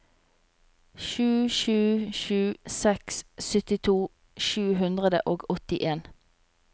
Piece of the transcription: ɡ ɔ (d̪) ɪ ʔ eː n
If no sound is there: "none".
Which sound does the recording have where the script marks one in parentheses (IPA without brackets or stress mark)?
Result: t̪